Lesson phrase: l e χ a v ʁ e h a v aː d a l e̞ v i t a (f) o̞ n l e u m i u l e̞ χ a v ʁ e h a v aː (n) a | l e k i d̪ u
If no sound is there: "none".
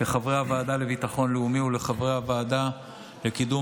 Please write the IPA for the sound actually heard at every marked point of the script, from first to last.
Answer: χ, d

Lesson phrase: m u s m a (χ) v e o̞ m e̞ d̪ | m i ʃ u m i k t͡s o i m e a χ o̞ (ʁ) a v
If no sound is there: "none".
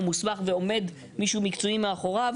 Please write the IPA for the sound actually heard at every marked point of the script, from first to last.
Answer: χ, ʁ

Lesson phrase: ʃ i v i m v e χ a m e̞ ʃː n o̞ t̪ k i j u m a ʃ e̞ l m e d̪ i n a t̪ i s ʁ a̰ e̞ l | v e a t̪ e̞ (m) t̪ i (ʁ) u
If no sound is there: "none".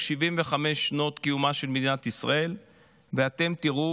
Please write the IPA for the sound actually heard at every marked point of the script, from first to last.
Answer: m, ʁ

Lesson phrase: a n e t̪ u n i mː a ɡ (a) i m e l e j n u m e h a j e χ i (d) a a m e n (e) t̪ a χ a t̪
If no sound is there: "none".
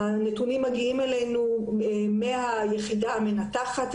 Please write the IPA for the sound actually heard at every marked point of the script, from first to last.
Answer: i, d, a

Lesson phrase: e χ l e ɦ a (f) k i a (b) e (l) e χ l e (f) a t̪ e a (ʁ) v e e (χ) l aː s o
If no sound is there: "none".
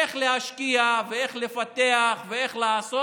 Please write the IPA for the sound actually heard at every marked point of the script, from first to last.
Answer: ʃ, v, none, f, χ, χ

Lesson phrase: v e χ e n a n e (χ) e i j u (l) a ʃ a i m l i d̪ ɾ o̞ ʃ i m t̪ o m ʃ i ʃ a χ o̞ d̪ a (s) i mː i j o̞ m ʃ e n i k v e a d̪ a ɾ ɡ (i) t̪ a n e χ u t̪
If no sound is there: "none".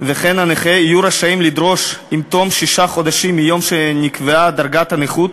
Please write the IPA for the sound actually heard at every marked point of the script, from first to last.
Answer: χ, ɾ, ʃ, a

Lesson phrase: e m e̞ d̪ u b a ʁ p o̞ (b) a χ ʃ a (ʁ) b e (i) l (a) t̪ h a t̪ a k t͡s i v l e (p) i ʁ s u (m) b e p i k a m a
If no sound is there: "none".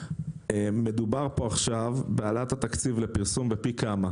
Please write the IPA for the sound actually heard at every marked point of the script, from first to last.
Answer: none, v, a, a, p, m

